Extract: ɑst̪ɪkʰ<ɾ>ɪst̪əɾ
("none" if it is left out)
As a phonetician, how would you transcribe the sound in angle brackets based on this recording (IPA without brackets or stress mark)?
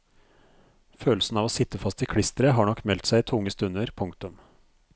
ɽ